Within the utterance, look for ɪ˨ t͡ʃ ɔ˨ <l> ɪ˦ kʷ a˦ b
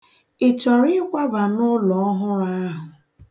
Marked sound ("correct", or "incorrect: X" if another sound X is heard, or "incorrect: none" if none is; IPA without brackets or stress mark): incorrect: ɾ